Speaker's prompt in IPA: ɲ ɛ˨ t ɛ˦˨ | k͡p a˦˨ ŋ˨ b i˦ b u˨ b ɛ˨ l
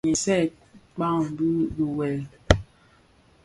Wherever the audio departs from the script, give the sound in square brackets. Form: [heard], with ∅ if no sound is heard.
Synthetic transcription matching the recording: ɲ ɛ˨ [s] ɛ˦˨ | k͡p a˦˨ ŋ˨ b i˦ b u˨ [w] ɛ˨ l